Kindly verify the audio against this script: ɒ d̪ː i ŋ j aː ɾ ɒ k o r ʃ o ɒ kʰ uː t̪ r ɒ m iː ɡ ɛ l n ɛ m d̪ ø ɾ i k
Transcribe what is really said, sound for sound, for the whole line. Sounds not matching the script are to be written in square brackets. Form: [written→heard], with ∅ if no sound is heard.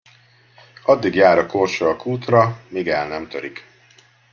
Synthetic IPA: ɒ d̪ː i [ŋ→ɡ] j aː ɾ ɒ k o r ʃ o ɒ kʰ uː t̪ r ɒ m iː ɡ ɛ l n ɛ m [d̪→t̪] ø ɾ i k